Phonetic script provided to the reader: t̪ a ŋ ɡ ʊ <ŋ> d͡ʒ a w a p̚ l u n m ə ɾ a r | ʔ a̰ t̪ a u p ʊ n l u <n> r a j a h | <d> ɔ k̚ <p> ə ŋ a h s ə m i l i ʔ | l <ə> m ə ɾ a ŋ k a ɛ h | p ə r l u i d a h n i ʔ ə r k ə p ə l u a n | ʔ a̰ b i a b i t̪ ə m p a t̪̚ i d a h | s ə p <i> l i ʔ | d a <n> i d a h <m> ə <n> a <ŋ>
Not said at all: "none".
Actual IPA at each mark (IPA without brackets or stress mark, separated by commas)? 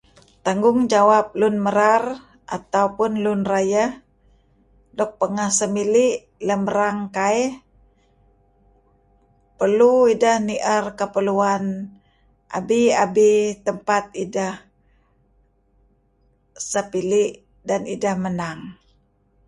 ŋ, n, d, p, ə, i, n, m, n, ŋ